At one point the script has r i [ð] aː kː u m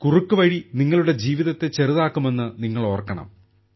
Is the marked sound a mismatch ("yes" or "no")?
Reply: no